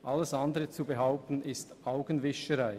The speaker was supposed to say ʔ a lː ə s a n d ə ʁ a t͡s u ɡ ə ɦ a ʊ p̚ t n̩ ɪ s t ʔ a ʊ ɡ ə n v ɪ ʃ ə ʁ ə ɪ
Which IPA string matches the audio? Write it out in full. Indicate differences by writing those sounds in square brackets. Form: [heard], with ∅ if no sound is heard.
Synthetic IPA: ʔ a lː ə s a n d ə ʁ [ə] t͡s u [b] ə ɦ a ʊ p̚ t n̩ ɪ s t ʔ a ʊ ɡ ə n v ɪ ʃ ə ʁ [a] ɪ